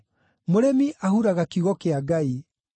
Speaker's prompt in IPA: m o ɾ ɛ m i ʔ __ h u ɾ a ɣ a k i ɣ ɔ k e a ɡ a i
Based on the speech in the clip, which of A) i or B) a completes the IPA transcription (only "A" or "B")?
B